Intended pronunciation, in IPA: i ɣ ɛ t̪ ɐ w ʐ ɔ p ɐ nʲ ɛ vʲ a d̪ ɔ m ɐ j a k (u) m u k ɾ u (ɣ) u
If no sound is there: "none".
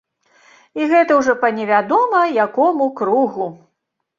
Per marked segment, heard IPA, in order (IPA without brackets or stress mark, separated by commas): ɔ, ɣ